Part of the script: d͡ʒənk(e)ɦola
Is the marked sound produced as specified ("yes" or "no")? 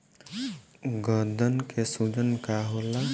no